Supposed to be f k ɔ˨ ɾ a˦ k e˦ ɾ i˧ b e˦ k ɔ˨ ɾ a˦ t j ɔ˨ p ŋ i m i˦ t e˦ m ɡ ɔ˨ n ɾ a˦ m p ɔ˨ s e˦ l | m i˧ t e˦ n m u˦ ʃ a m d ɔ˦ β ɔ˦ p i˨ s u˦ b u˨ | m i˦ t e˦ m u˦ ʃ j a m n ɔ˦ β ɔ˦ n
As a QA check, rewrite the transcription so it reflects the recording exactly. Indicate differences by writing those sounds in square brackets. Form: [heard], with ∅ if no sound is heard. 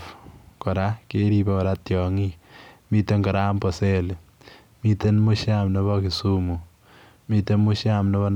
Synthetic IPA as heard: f k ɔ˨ ɾ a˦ k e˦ ɾ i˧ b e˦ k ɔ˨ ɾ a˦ t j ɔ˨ [∅] ŋ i m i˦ t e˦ [ŋ] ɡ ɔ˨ [∅] ɾ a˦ m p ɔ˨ s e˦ l | m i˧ t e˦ n m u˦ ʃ a m [n] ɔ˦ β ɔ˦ [k] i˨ s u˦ [m] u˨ | m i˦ t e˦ m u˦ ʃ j a m n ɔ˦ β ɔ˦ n